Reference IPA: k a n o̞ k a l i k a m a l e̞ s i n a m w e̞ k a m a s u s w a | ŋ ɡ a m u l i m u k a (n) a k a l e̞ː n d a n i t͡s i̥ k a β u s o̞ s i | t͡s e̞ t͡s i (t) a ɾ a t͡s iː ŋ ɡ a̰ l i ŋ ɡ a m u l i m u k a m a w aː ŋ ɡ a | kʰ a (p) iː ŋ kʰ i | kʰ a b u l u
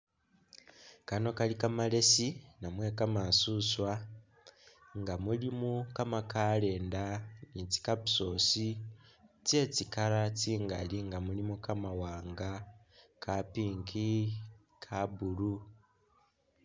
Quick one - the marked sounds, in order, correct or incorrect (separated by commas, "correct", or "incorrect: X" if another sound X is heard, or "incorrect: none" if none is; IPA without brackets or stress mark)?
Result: incorrect: m, incorrect: k, correct